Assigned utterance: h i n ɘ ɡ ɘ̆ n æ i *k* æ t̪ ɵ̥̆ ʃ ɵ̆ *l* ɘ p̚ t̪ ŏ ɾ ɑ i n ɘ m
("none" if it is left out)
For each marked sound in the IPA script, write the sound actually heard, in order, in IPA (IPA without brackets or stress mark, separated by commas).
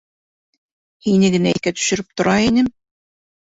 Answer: k, ɾ